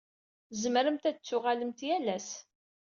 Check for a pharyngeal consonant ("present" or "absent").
absent